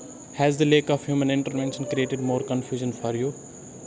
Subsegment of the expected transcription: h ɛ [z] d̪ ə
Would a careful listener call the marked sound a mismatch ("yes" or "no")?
no